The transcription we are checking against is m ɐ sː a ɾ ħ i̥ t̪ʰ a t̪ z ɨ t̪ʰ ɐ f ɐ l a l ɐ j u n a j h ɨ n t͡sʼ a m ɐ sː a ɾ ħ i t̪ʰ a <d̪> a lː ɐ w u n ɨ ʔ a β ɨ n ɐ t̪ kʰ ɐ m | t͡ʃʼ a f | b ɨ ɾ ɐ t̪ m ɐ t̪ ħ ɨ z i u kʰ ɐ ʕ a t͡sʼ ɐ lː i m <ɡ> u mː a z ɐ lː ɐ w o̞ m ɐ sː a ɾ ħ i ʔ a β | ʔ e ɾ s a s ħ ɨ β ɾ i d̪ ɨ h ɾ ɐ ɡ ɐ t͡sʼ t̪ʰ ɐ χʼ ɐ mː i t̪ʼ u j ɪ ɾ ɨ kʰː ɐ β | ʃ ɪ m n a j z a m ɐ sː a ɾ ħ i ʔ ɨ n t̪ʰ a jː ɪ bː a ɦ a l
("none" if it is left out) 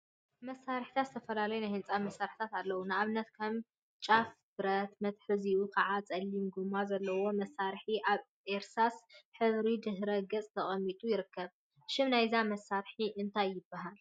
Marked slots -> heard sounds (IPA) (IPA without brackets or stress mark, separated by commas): t̪, ɡ